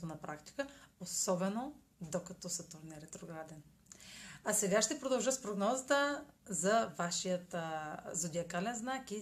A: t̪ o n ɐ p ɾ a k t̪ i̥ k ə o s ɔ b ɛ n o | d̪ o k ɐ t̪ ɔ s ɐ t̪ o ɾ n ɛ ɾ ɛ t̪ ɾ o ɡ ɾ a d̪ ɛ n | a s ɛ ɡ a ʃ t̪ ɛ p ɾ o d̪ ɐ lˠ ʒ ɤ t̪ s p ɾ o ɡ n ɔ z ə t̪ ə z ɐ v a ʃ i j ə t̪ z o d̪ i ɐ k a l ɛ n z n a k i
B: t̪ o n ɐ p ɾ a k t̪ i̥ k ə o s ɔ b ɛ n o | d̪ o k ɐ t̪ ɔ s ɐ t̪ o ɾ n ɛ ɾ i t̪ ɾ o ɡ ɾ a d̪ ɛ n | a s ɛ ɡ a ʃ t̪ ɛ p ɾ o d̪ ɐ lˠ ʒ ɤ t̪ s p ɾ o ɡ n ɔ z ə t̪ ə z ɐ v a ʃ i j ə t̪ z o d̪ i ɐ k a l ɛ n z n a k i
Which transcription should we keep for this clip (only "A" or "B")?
A